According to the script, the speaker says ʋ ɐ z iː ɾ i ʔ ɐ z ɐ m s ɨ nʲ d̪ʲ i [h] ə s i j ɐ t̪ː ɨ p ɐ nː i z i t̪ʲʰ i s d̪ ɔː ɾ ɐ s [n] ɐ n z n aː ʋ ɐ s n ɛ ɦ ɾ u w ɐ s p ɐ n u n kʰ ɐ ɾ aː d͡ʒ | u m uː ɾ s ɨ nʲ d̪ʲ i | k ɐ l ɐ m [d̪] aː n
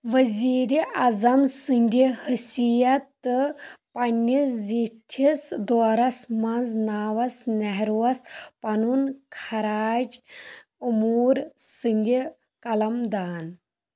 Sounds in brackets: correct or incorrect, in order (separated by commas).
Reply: correct, incorrect, correct